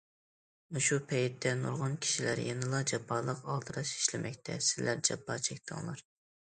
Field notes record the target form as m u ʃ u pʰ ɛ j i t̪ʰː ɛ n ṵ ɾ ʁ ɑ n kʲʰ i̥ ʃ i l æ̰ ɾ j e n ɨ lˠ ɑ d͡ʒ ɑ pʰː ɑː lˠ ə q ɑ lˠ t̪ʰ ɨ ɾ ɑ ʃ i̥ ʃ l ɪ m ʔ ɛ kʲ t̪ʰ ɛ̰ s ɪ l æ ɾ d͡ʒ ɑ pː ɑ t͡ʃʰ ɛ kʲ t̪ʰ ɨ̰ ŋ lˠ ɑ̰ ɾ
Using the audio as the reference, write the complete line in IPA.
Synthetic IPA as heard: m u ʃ u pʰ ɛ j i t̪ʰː ɛ n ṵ ɾ ʁ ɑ n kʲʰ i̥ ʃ i l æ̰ ɾ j e n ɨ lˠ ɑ d͡ʒ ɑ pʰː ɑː lˠ ə q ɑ lˠ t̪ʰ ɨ ɾ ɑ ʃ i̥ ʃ l ɪ m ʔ ɛ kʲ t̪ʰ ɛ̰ s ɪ l æ ɾ d͡ʒ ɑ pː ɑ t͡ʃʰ ɛ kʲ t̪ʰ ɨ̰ ŋ lˠ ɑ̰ ɾ